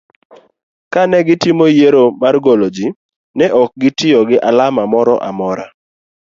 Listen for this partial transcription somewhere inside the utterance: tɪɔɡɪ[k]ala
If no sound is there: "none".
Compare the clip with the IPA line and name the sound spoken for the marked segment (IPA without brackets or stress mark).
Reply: ʔ